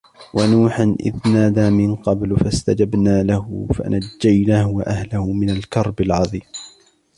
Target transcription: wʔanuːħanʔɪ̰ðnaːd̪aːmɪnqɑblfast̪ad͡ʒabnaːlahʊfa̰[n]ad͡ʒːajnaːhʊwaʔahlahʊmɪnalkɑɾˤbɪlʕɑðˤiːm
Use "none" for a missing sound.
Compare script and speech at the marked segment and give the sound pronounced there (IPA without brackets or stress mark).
n